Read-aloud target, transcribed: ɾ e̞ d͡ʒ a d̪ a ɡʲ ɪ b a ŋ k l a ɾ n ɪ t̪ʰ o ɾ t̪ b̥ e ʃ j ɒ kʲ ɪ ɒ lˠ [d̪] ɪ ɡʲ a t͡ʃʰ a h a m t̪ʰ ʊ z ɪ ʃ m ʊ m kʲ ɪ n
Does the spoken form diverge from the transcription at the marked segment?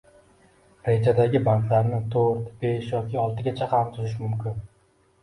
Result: yes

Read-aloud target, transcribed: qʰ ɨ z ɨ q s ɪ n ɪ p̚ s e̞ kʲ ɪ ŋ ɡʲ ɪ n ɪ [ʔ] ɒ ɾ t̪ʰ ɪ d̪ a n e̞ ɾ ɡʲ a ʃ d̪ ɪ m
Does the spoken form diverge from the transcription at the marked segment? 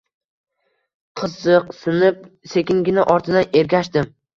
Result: no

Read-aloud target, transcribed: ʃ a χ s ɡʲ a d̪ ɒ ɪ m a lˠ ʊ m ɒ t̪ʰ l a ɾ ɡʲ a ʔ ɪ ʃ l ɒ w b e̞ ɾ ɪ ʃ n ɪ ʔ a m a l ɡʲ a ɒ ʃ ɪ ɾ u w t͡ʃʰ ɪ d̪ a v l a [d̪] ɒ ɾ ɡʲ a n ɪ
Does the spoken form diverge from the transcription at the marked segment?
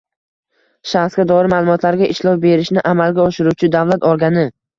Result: yes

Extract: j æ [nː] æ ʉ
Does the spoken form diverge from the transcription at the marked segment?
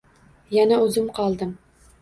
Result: yes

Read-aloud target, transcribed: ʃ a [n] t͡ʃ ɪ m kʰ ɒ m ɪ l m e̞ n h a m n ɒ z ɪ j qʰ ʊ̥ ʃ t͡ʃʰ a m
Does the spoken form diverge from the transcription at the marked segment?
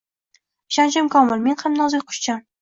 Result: no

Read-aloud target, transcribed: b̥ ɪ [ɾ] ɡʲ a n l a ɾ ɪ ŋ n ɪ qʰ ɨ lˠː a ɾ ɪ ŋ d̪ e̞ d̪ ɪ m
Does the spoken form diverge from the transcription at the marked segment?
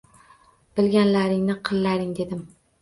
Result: yes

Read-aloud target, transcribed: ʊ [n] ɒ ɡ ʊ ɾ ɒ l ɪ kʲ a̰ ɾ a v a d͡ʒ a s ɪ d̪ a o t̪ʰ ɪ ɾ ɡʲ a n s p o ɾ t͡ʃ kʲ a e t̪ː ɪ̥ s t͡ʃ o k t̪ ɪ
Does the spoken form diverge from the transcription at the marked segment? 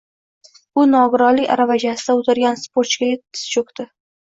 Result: no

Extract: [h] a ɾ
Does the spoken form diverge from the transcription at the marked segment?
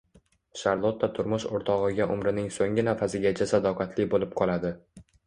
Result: yes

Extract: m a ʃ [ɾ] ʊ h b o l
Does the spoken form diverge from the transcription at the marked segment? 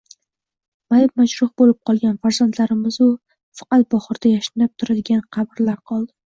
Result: no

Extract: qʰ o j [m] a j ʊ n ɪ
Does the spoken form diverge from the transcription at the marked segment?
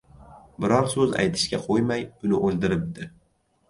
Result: no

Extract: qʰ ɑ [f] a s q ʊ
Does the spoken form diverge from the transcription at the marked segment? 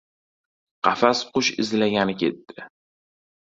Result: no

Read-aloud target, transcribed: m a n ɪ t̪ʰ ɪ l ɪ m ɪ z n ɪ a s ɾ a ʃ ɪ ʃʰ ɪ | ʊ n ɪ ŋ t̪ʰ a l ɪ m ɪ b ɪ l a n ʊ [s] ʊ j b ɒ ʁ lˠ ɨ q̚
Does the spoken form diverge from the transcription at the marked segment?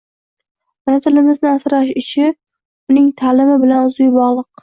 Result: yes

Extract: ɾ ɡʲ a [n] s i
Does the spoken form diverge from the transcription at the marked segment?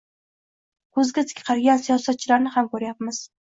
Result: no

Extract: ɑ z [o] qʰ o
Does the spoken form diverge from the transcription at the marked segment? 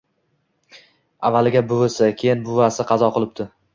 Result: yes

